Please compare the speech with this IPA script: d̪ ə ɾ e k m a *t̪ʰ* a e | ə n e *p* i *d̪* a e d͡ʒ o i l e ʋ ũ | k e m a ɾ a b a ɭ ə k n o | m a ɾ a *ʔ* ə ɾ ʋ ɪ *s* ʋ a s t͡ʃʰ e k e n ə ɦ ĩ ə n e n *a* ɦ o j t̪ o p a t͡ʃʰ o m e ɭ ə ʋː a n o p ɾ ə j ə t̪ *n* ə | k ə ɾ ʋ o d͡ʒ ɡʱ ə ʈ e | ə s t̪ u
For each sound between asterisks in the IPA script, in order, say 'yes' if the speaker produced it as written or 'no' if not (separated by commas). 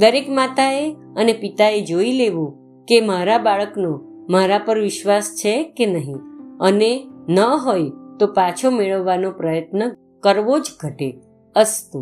no, yes, no, no, no, no, yes